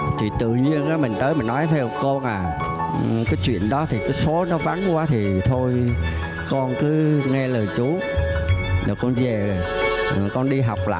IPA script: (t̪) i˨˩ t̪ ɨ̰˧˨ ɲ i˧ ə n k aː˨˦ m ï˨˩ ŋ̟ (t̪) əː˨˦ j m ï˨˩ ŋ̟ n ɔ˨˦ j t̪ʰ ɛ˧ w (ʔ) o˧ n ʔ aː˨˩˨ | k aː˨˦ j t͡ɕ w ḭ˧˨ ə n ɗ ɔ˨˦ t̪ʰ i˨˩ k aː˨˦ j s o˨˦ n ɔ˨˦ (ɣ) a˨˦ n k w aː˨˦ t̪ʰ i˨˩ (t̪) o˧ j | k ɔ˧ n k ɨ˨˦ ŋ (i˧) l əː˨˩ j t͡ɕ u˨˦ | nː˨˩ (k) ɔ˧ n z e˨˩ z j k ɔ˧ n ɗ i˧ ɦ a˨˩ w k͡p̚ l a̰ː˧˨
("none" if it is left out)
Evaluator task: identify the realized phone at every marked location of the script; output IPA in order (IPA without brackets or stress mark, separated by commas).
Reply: t̪ʰ, t̪, k, v, t̪ʰ, ɛ˧, k